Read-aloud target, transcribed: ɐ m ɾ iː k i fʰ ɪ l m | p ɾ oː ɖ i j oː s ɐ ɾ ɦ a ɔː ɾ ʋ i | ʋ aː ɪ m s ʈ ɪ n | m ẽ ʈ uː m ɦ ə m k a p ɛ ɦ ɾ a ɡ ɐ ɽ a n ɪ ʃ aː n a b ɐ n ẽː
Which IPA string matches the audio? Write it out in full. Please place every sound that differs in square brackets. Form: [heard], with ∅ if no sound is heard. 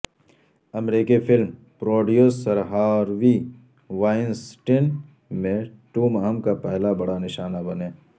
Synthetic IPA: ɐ m ɾ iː k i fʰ ɪ l m | p ɾ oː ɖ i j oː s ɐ ɾ ɦ a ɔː ɾ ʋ i | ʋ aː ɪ [n] s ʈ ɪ n | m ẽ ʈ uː m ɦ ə m k a p ɛ ɦ [l] a [b] ɐ ɽ a n ɪ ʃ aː n a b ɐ n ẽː